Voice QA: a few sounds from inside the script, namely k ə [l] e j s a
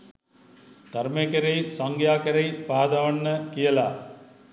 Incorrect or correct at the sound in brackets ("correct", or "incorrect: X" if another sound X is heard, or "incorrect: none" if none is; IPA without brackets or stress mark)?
incorrect: ɾ